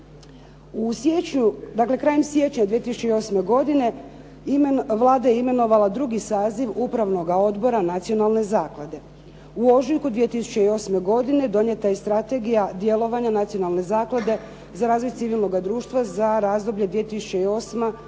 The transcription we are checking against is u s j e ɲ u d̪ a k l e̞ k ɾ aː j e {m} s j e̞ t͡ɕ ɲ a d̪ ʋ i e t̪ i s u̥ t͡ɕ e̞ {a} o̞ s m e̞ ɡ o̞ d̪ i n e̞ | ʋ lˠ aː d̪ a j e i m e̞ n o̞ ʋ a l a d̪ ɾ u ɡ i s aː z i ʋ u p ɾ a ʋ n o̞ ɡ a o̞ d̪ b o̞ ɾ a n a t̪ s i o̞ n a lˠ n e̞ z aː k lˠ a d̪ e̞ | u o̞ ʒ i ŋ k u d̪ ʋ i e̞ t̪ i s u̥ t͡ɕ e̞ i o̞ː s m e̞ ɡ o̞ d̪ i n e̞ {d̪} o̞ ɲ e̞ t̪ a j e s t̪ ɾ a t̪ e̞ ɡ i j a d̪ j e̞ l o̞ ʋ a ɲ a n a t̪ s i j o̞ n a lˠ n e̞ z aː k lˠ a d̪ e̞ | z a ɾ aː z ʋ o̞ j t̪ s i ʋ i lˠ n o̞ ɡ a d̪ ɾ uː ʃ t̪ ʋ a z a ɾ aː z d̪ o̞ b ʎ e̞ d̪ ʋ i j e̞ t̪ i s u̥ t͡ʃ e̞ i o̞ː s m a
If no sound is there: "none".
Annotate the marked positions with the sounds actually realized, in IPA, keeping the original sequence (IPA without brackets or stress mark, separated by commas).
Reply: m, i, d̪